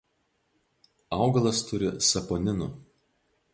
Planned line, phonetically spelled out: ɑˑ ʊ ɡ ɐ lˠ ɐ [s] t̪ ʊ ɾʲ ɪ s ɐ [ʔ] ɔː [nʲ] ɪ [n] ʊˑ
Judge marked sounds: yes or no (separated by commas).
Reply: yes, no, yes, yes